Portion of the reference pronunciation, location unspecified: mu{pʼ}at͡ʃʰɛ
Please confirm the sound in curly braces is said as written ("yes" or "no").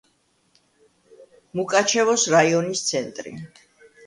no